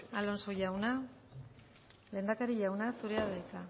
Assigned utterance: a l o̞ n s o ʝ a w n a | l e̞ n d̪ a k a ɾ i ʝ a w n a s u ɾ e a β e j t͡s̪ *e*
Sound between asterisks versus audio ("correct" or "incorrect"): incorrect